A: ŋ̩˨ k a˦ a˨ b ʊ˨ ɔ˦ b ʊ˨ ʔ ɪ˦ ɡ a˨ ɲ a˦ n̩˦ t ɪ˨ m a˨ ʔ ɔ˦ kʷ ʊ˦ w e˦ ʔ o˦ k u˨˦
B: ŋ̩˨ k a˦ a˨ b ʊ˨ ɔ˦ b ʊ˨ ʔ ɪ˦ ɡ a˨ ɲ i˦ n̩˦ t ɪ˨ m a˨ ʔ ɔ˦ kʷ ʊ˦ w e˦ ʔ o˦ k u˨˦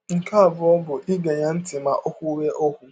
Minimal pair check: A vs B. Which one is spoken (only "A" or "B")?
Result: A